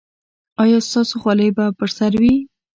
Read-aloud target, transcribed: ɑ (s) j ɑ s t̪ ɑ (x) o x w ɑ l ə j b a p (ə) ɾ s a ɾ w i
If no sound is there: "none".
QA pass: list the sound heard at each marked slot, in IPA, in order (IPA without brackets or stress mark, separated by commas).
none, s, ə